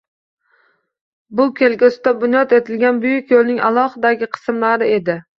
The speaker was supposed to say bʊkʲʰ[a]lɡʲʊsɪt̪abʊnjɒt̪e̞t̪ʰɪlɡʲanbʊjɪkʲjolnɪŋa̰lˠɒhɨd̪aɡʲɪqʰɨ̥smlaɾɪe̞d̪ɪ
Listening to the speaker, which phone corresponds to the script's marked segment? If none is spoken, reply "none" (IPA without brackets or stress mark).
e